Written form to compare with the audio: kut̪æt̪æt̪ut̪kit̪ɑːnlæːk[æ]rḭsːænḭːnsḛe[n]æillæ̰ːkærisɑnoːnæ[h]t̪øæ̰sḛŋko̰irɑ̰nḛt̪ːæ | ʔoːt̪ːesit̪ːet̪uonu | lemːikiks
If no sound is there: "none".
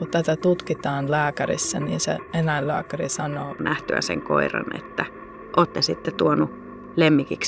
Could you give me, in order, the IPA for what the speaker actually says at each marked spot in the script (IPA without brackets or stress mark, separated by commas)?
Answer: æ, n, h